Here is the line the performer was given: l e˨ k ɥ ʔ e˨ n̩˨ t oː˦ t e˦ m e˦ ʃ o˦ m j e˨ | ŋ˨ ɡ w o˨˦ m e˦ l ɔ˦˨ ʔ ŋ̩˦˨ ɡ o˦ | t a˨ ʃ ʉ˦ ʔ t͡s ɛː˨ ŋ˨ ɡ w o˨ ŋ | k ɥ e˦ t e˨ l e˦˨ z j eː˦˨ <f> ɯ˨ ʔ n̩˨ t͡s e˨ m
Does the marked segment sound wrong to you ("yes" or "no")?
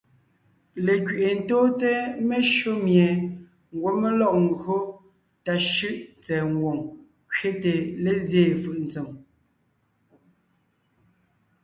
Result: no